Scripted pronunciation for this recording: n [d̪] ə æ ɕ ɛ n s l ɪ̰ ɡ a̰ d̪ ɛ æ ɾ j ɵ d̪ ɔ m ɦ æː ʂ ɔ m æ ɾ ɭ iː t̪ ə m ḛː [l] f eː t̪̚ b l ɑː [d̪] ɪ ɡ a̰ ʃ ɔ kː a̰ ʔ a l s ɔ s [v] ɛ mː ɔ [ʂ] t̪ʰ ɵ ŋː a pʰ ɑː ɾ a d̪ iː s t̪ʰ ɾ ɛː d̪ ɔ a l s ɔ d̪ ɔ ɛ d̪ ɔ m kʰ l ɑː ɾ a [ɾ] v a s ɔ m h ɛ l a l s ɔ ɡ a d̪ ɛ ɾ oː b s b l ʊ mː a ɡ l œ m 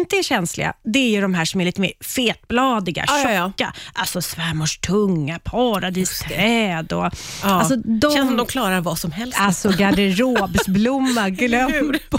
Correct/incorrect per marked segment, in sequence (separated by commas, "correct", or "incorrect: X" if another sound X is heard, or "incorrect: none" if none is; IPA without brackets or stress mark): incorrect: t̪, incorrect: ɾ, correct, correct, correct, correct